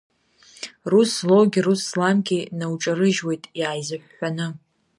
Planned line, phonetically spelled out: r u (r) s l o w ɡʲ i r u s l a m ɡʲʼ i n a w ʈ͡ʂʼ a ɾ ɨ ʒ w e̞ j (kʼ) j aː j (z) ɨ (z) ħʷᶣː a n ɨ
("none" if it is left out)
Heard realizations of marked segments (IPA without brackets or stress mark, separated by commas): none, tʼ, z, none